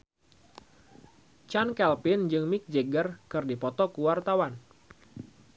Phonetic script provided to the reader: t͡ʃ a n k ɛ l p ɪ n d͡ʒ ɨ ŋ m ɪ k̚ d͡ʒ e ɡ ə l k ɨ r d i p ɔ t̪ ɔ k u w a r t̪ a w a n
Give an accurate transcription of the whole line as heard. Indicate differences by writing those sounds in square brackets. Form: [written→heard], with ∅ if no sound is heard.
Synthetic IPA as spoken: t͡ʃ a n k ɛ l p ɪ n d͡ʒ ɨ ŋ m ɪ k̚ d͡ʒ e ɡ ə [l→r] k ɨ r d i p ɔ t̪ ɔ k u w a r t̪ a w a n